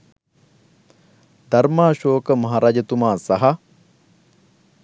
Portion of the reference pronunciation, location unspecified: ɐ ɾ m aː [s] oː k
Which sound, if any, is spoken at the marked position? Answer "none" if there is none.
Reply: ʃ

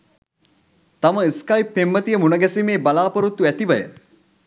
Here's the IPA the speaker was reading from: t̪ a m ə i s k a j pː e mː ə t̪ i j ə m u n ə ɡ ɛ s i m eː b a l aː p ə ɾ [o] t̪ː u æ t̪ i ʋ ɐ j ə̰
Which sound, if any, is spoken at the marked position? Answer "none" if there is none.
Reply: u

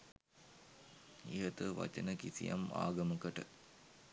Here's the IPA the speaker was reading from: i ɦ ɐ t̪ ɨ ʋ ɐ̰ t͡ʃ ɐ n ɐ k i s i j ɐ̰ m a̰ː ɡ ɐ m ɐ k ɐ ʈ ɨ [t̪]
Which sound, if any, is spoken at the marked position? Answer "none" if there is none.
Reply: none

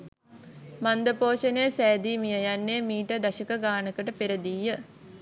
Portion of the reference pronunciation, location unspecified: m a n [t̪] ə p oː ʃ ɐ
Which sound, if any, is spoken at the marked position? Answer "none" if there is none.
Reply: d̪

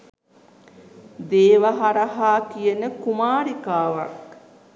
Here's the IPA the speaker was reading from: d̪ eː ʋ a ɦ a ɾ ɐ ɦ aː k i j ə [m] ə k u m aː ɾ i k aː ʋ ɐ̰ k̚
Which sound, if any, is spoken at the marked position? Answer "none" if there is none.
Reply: n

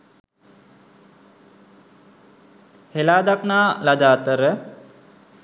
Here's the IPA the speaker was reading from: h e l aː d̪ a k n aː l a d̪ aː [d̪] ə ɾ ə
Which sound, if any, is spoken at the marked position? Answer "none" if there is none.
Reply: t̪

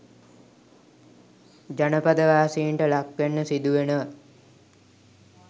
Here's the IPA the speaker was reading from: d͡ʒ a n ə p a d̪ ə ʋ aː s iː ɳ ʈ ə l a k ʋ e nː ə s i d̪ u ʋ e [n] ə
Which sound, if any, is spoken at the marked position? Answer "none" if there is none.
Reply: n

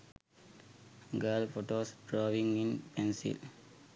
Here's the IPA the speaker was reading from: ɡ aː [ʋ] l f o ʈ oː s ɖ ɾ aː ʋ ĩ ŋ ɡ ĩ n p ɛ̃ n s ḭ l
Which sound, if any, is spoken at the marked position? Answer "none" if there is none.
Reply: none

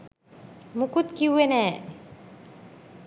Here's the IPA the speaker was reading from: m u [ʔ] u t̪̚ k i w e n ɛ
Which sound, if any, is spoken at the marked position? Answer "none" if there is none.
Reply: k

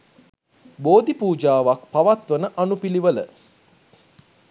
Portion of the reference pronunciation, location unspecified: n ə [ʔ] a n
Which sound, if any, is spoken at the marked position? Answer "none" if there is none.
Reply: ʔ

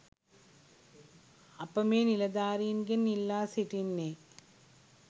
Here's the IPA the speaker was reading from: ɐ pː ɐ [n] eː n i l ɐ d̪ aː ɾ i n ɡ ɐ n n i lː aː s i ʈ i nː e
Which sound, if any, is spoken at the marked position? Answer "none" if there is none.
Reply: m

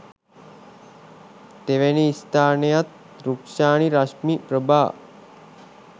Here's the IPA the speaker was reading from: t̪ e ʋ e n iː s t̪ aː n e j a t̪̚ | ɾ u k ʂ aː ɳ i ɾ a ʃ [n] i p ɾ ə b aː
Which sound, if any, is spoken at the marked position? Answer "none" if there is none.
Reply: m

